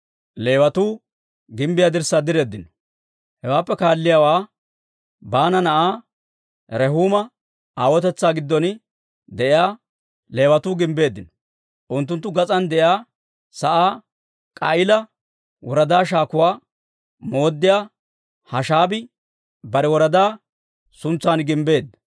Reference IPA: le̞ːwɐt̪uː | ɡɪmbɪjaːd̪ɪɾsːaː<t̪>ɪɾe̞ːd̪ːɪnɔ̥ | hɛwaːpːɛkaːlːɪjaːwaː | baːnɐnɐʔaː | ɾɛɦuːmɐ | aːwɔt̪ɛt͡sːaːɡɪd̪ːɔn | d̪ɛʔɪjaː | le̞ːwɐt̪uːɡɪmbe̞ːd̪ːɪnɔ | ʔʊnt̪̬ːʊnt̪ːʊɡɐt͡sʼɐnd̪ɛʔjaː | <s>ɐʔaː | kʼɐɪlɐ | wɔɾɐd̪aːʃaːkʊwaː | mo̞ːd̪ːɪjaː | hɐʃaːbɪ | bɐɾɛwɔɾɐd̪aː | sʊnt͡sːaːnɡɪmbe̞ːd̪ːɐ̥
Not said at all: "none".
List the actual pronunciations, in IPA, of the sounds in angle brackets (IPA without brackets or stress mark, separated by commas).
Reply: d̪, s